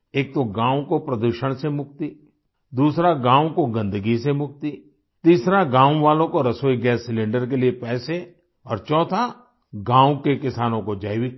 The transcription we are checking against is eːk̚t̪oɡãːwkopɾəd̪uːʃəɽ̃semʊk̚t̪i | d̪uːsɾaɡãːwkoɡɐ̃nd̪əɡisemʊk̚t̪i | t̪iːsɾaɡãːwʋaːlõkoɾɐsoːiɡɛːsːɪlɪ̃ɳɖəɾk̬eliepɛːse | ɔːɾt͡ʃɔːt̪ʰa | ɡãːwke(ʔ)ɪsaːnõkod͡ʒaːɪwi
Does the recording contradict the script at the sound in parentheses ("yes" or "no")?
yes